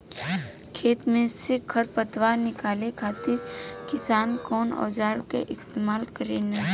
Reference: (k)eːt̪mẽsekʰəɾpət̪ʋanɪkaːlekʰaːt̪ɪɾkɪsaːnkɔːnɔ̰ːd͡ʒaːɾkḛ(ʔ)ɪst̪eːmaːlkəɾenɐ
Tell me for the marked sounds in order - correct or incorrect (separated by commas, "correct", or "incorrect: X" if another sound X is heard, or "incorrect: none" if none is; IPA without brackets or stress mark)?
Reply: incorrect: kʰ, correct